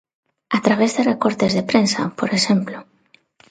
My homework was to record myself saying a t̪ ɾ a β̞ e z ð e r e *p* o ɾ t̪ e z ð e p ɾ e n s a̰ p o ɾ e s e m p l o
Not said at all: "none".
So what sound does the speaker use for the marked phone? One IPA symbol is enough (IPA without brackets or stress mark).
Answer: k